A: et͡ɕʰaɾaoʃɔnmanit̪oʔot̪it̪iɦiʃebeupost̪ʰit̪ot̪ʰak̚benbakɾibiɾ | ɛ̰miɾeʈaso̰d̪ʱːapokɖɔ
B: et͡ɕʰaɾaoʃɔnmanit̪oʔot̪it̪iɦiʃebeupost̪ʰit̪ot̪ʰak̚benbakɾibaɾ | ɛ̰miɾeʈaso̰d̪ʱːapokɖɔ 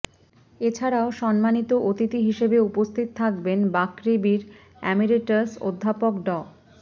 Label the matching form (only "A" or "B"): A